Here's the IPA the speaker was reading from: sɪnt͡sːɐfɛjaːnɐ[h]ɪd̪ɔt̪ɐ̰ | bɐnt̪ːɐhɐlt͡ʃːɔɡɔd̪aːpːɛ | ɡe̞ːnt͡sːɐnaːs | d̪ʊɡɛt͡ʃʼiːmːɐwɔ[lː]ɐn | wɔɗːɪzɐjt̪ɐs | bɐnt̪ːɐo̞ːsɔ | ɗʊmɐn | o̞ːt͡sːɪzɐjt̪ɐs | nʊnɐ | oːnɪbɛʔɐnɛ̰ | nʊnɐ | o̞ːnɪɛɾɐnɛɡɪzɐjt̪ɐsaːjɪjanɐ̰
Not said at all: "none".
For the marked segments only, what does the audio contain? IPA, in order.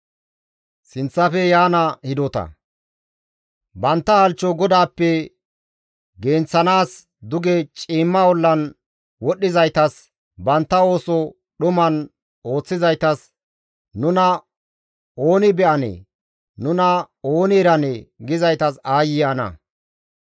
h, lː

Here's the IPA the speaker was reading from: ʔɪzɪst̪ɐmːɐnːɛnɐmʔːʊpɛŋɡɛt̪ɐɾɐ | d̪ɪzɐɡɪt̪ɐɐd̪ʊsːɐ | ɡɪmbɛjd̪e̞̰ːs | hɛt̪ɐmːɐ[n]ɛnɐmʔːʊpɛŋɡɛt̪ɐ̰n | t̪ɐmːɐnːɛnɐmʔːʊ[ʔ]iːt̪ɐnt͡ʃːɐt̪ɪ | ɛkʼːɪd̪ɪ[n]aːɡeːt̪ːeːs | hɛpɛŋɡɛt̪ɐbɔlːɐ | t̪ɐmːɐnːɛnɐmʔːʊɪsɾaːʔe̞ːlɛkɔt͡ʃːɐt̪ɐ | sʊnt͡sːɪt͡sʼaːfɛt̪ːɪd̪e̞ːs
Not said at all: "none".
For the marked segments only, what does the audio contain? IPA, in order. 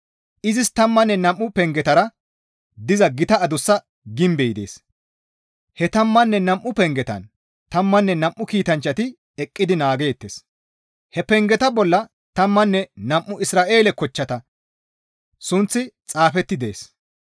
nː, k, n

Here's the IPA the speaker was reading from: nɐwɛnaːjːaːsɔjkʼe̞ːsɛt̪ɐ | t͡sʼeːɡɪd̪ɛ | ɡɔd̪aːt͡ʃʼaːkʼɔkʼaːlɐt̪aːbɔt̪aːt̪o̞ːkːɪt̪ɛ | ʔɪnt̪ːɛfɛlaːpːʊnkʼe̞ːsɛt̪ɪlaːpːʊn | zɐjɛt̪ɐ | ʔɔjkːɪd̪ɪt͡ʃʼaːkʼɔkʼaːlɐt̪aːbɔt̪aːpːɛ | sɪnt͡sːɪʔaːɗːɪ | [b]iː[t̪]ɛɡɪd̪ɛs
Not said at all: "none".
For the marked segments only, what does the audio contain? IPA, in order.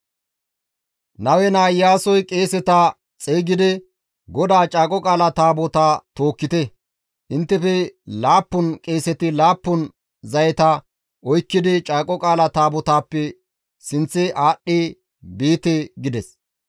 b, t̪

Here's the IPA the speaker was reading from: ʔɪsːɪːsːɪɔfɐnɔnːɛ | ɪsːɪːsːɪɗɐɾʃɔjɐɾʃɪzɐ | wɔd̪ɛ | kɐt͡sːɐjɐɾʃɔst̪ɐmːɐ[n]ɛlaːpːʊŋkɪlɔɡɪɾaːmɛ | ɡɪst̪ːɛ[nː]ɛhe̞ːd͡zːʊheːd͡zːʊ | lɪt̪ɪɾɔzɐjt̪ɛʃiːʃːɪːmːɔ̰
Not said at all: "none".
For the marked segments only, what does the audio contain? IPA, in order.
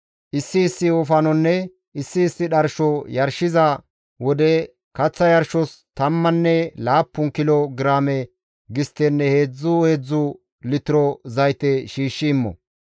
nː, nː

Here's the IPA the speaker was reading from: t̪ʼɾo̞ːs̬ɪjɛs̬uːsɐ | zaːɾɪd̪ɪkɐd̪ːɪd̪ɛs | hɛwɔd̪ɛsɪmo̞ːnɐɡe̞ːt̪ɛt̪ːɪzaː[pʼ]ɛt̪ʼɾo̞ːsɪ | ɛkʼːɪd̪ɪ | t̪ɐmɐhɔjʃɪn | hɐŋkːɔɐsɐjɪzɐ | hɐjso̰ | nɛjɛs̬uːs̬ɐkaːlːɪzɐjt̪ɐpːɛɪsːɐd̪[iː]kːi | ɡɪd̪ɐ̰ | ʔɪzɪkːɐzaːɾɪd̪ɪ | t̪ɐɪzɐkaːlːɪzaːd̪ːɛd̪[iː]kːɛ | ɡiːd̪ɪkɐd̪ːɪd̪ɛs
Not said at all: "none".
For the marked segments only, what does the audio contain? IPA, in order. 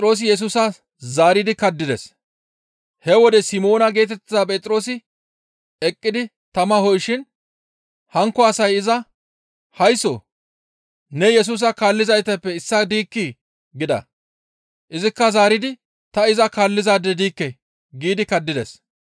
pʼ, iː, iː

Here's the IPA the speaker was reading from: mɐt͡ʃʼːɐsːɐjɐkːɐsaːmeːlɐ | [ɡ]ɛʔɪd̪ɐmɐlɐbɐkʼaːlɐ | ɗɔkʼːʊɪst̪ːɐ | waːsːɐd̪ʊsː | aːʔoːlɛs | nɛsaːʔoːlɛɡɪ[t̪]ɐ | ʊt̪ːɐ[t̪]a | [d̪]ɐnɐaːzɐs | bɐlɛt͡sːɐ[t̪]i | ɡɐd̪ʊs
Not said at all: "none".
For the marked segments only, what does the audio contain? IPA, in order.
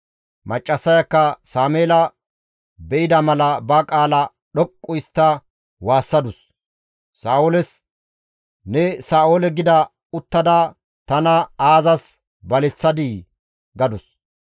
b, d̪, d̪, t̪, d̪

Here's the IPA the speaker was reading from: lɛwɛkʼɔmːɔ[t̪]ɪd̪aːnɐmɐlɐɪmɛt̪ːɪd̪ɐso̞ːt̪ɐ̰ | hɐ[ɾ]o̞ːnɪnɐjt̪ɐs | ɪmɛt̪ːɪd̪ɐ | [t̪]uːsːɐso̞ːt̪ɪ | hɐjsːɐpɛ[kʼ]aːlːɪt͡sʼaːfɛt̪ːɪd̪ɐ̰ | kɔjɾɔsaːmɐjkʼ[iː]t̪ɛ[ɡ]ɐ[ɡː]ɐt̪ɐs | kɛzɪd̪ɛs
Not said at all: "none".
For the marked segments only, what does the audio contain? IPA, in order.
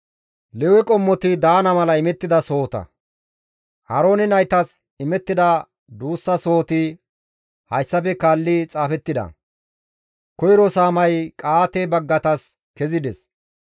t̪, ɾ, d̪, k, aː, b, ɡː

